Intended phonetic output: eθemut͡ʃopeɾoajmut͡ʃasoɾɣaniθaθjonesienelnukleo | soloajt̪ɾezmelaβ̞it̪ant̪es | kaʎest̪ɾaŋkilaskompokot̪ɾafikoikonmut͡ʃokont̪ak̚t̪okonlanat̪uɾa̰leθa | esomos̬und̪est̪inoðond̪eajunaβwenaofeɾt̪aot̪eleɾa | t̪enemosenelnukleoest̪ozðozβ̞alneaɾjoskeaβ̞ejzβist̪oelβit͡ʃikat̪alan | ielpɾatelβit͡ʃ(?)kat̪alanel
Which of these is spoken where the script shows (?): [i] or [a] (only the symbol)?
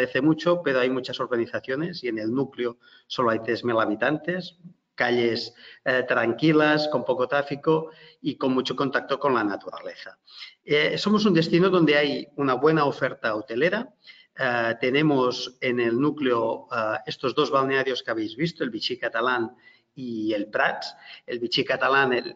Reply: i